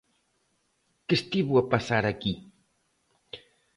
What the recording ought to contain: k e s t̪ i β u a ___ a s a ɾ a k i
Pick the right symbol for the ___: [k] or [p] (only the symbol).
p